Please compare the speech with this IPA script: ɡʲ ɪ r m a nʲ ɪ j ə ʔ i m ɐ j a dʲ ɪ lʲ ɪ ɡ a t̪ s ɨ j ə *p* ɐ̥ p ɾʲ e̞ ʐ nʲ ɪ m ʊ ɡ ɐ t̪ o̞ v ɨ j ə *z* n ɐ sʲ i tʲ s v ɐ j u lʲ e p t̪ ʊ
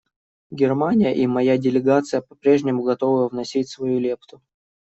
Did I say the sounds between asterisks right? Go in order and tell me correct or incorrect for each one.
correct, incorrect: v

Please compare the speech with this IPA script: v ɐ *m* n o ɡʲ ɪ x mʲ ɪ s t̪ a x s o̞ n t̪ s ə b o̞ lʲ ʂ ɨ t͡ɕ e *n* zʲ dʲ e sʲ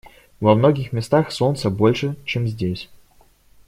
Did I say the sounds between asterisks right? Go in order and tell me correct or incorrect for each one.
correct, incorrect: m

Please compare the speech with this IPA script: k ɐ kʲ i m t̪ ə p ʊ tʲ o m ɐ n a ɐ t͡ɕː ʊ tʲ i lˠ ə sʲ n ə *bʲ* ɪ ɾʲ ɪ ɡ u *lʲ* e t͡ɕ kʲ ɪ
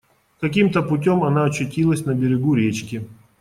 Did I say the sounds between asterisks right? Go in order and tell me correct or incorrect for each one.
correct, incorrect: ɾʲ

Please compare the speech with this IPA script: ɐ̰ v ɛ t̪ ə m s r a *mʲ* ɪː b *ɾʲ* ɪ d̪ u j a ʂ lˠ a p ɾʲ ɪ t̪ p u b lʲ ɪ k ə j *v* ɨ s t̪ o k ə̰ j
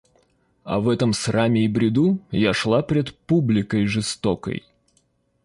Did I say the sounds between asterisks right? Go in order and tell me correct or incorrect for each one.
correct, correct, incorrect: ʐ

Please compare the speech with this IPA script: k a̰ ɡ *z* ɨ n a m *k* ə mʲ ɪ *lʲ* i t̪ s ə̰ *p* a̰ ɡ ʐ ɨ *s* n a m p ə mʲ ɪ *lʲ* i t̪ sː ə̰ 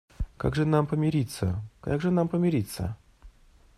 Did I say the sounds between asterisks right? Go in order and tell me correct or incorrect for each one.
incorrect: ʐ, incorrect: p, incorrect: ɾʲ, incorrect: k, incorrect: none, incorrect: ɾʲ

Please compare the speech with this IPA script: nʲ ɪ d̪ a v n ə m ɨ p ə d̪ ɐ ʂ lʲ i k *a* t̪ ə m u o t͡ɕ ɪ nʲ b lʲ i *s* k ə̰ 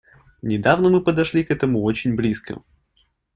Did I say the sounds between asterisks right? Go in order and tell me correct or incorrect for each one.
incorrect: ɛ, correct

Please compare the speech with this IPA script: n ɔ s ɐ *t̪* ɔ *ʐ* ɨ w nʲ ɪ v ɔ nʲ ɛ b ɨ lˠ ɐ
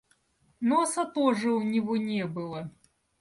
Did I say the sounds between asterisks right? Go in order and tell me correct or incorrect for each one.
correct, correct

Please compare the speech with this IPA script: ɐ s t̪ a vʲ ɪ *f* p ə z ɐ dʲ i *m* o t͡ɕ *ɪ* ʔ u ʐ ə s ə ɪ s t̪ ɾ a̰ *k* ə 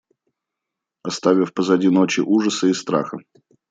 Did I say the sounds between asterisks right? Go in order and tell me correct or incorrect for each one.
correct, incorrect: n, correct, incorrect: x

